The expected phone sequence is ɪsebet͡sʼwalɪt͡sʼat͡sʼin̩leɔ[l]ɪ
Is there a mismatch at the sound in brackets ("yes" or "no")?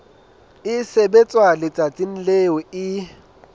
yes